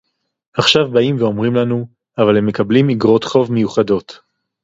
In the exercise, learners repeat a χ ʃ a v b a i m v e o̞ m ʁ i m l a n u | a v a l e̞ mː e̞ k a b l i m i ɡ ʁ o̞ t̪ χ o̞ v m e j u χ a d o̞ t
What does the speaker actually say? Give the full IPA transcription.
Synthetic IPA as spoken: a χ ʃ a v b a i m v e o̞ m ʁ i m l a n u | a v a l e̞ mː e̞ k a b l i m i ɡ ʁ o̞ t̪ χ o̞ v m e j u χ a d o̞ t